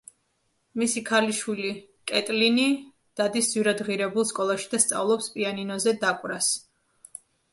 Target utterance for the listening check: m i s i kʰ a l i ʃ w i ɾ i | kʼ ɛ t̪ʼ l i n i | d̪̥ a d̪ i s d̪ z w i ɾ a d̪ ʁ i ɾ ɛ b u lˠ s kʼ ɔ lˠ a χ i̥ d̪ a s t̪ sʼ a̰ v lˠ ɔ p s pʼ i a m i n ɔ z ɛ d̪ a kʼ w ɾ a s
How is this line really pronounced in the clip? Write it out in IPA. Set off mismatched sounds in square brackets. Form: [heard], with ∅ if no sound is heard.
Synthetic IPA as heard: m i s i kʰ a l i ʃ w i [l] i | kʼ ɛ t̪ʼ l i n i | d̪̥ a d̪ i s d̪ z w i ɾ a d̪ ʁ i ɾ ɛ b u lˠ s kʼ ɔ lˠ a [ʃ] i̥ d̪ a s t̪ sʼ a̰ v lˠ ɔ p s pʼ i a [n] i n ɔ z ɛ d̪ a kʼ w ɾ a s